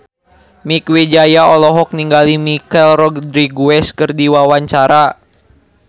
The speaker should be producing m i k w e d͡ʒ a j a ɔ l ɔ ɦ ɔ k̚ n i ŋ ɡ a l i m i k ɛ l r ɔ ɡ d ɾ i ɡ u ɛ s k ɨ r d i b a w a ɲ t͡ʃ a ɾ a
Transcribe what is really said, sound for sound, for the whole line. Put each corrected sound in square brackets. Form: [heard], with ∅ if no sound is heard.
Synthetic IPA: m i k w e d͡ʒ a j a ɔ l ɔ ɦ ɔ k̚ n i ŋ ɡ a l i m i k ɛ l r ɔ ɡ d ɾ i ɡ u ɛ s k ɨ r d i [w] a w a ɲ t͡ʃ a ɾ a